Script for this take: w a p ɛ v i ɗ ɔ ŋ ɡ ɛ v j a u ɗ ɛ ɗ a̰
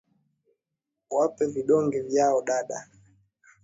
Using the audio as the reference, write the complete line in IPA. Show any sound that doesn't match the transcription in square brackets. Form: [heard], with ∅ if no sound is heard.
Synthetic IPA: w a p ɛ v i ɗ ɔ ŋ ɡ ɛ v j a [ɔ] ɗ [a] ɗ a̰